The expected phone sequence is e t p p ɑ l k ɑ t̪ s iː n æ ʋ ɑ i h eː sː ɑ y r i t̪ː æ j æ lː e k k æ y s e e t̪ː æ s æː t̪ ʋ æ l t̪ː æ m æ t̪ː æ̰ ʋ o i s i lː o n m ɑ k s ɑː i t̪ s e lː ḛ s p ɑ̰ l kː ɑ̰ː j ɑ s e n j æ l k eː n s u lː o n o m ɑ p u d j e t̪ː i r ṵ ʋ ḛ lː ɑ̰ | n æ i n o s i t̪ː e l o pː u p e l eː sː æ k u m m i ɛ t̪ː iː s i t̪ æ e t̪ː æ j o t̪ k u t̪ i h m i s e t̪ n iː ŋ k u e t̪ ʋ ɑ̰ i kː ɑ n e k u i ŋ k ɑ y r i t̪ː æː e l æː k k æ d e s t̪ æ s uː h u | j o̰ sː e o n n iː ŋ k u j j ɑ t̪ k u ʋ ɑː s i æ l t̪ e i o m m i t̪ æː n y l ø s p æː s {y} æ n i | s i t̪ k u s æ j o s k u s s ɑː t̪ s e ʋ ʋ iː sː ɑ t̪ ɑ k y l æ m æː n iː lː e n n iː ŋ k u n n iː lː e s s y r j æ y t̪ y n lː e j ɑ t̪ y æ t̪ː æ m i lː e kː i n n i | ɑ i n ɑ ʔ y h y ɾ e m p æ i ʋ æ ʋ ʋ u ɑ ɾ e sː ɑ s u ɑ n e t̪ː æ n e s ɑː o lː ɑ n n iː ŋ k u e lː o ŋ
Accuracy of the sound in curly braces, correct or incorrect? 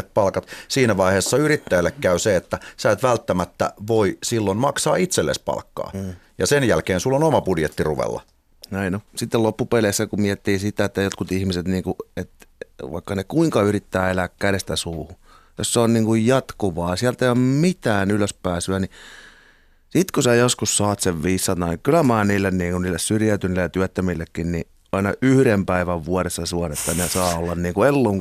correct